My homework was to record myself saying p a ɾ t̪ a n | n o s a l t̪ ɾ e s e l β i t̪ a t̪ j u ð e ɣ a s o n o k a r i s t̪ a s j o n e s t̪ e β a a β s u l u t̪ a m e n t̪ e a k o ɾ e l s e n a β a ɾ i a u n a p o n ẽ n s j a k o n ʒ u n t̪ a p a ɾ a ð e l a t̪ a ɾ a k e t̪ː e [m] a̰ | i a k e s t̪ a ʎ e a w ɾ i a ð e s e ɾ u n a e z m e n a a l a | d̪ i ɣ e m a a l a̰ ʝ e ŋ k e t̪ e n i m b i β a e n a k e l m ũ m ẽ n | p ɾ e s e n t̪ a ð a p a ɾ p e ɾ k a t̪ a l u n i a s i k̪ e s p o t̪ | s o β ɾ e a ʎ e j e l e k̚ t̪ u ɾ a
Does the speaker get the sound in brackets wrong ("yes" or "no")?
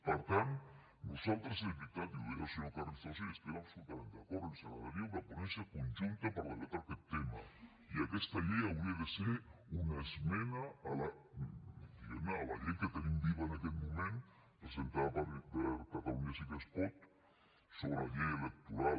no